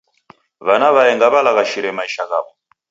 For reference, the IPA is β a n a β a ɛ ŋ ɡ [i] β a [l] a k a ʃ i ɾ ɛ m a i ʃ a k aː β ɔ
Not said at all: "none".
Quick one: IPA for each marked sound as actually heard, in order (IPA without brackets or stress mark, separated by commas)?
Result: a, l